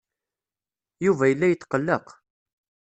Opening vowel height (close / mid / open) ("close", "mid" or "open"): close